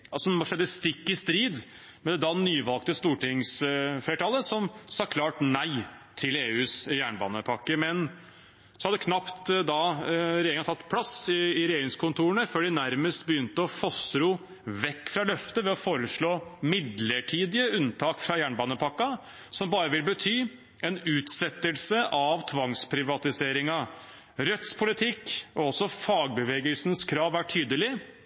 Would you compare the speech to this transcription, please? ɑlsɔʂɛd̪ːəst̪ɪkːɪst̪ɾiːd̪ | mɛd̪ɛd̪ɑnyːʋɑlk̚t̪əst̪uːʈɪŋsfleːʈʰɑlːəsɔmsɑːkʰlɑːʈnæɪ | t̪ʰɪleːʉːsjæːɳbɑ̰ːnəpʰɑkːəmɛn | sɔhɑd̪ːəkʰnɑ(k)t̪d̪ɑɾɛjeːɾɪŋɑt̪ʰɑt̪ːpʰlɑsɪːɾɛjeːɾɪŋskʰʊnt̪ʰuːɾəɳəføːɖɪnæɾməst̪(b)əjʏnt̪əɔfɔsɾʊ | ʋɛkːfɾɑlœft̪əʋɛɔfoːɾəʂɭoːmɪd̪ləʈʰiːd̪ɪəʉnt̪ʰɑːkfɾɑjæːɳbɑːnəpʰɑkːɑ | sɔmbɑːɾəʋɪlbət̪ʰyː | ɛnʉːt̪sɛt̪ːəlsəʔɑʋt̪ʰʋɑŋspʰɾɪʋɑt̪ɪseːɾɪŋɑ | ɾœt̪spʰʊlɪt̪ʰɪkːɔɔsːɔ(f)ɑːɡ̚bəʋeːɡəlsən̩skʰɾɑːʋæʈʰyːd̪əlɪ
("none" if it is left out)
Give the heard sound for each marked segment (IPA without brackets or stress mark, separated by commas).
p, b, f